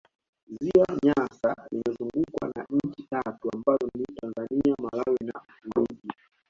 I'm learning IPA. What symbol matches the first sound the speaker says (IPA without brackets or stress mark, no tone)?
z